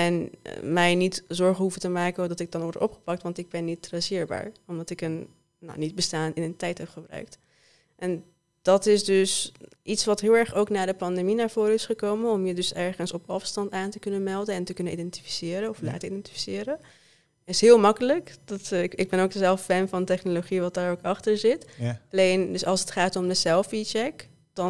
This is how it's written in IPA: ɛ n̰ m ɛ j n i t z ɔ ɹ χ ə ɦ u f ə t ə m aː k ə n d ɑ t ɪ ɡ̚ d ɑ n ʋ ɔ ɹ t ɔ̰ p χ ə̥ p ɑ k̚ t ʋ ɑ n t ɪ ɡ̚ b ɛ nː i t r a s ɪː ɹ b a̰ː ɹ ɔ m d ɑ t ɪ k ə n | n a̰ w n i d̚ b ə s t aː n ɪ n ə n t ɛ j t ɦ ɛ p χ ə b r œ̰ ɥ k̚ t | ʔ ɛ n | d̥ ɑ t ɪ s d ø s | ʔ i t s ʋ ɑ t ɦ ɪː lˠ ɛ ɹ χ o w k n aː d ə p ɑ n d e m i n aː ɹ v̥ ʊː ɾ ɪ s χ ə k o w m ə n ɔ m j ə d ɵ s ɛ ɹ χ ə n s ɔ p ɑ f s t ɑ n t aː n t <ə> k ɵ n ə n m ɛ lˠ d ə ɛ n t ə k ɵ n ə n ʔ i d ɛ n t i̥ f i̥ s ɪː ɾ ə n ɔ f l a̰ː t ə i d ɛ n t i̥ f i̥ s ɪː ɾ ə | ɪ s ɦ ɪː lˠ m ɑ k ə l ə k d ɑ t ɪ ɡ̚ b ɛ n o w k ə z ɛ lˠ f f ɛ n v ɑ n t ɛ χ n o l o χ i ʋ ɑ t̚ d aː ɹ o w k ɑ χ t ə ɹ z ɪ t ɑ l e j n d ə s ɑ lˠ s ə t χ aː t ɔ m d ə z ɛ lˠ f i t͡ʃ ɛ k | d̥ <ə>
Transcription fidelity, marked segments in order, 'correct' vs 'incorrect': correct, incorrect

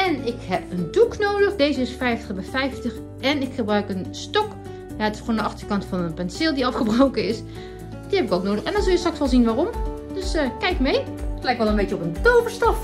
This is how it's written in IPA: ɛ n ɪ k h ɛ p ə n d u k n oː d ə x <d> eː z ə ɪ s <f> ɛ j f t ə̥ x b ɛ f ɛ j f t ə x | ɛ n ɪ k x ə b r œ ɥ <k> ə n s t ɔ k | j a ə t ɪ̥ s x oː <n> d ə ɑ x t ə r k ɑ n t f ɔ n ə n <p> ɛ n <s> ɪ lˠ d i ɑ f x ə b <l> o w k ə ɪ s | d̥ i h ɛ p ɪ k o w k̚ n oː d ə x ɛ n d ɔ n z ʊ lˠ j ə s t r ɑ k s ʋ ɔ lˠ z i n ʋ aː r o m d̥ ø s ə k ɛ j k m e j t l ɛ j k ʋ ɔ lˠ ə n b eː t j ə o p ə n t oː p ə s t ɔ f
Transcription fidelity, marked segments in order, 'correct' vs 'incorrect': correct, correct, correct, correct, correct, correct, incorrect

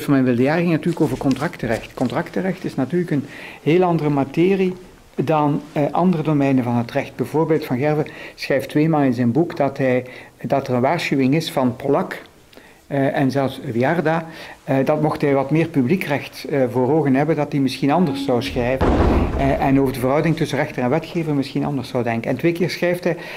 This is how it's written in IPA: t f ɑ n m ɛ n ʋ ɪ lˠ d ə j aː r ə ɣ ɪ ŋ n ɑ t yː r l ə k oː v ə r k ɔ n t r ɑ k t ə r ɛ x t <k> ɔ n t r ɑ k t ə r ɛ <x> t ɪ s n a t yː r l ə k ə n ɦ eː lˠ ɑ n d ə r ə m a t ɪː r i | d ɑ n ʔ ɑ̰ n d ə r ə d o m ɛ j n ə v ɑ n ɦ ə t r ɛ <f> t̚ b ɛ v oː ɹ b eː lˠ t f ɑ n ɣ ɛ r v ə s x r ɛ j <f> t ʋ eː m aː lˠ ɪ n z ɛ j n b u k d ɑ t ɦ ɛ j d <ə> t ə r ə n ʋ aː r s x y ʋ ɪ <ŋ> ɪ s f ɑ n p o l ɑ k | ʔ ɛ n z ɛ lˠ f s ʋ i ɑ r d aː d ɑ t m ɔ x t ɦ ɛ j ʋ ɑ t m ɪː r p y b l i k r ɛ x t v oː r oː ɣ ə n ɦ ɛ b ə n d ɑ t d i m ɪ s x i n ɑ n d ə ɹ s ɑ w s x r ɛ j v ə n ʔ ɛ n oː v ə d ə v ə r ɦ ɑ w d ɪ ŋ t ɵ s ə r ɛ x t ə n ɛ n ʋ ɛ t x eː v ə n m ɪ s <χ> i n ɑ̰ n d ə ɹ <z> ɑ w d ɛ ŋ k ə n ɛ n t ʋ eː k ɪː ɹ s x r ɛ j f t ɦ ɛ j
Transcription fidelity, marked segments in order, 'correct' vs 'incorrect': correct, correct, incorrect, correct, incorrect, correct, incorrect, incorrect

